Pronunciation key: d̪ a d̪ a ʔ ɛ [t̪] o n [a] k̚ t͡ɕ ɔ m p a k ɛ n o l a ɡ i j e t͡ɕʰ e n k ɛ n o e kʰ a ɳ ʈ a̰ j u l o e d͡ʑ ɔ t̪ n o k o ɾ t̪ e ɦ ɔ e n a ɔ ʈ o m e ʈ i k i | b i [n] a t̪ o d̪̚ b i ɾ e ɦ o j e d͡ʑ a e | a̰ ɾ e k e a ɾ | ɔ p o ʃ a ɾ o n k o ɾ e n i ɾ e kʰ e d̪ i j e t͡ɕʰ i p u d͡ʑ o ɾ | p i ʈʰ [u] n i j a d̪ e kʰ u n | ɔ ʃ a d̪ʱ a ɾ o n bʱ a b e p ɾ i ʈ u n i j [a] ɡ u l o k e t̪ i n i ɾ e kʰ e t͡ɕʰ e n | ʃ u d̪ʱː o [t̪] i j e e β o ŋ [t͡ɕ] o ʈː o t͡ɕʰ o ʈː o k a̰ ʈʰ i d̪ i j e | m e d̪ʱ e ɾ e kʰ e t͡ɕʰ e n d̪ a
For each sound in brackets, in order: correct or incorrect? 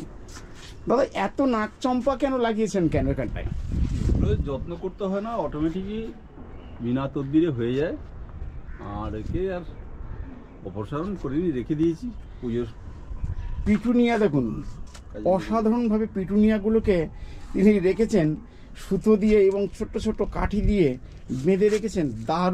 correct, correct, correct, correct, correct, incorrect, incorrect

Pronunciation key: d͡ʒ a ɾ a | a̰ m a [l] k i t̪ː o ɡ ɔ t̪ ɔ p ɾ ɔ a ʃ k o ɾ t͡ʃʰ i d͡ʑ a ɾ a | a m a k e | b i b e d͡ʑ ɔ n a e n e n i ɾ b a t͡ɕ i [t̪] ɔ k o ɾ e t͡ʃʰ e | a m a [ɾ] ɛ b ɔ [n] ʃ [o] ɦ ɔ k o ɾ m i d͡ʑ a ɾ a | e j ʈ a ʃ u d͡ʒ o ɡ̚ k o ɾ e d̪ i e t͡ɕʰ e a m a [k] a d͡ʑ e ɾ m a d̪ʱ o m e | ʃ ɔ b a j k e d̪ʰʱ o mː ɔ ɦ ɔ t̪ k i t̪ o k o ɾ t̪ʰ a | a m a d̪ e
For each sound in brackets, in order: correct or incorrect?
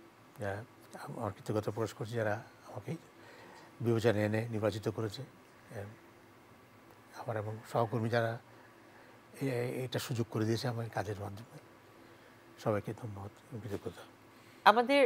incorrect, correct, correct, incorrect, incorrect, correct

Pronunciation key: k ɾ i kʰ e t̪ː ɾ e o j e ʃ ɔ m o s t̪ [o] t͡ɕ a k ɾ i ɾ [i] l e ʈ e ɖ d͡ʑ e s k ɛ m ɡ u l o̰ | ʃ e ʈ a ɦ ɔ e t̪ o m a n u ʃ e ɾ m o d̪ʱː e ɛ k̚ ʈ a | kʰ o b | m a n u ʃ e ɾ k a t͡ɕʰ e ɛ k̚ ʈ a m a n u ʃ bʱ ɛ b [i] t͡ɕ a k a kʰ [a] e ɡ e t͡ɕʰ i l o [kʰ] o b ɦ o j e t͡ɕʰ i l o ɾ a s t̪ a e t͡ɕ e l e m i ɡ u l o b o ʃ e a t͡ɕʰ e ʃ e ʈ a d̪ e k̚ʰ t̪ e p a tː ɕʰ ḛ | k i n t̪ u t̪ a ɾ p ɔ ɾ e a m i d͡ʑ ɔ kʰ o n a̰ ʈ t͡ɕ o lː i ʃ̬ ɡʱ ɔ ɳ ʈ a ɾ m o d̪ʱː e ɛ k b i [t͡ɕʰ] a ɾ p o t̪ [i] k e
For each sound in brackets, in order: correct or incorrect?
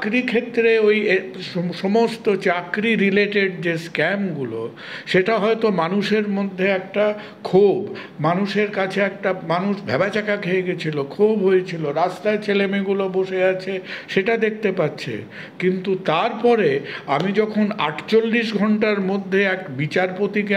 correct, correct, incorrect, incorrect, correct, incorrect, correct

